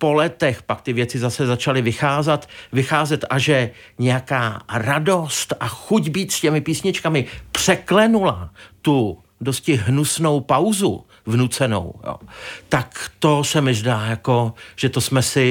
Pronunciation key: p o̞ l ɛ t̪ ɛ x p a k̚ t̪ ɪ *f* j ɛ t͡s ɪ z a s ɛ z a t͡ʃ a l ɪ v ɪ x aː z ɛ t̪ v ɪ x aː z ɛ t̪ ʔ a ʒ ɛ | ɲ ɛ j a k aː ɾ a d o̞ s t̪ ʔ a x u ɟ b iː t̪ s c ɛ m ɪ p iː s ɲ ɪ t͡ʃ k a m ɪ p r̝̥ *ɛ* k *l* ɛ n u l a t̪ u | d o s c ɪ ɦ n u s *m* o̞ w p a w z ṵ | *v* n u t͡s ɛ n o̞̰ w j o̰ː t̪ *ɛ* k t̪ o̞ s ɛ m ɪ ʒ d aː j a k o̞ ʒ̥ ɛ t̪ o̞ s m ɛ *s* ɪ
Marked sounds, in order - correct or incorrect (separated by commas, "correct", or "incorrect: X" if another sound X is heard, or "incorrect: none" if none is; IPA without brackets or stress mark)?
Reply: incorrect: v, correct, correct, incorrect: n, correct, incorrect: a, correct